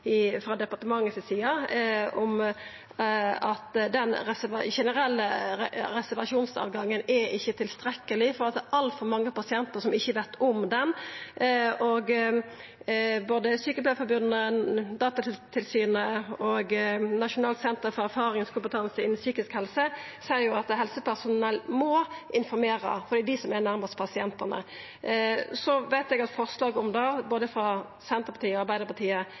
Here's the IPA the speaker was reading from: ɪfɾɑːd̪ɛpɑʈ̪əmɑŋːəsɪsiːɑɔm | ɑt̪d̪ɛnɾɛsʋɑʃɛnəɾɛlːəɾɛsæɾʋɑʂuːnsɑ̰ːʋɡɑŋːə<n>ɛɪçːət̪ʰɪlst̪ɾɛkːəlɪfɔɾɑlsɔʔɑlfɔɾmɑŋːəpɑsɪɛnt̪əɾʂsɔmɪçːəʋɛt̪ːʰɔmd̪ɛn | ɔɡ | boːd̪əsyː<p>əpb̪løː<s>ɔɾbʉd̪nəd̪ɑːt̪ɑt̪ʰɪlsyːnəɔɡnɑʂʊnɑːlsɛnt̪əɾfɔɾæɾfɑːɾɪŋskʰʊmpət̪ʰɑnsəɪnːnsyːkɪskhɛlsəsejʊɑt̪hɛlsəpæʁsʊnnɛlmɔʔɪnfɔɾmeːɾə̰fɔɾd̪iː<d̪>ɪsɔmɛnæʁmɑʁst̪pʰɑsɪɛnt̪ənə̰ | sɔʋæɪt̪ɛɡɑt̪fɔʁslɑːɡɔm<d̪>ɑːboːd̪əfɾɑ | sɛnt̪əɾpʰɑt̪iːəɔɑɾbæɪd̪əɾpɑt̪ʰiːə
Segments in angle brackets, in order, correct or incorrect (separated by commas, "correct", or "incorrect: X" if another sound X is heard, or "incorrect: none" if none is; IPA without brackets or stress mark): correct, incorrect: k, incorrect: f, correct, correct